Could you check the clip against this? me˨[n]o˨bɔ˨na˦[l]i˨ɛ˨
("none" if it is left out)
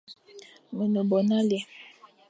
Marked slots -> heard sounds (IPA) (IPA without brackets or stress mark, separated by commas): n, l